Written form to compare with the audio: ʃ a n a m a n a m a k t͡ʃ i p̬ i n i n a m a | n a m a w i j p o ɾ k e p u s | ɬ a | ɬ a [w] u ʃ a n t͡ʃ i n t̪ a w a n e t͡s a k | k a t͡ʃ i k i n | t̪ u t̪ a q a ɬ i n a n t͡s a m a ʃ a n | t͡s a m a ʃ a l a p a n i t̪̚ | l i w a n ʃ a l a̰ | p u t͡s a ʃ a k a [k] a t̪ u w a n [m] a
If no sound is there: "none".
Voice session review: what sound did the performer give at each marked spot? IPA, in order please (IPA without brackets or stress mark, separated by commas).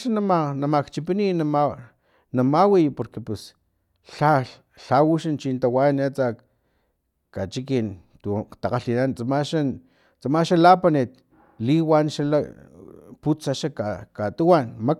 w, k, m